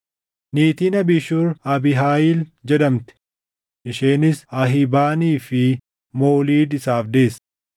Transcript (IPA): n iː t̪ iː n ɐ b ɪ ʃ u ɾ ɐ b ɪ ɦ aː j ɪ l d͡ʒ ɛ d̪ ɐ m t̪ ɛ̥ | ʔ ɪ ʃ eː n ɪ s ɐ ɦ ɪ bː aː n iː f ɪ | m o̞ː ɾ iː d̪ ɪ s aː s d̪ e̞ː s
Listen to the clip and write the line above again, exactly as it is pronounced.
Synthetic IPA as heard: n iː t̪ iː n ɐ b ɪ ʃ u ɾ ɐ b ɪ ɦ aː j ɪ l d͡ʒ ɛ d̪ ɐ m t̪ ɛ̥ | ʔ ɪ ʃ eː n ɪ s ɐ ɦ ɪ b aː n iː f ɪ | m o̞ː l iː d̪ ɪ s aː f d̪ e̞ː s